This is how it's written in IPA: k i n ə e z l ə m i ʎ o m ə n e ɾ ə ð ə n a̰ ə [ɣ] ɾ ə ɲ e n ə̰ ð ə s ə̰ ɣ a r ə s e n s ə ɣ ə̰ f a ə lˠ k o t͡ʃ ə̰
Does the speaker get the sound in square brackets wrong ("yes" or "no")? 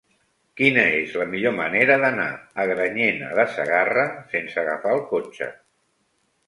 no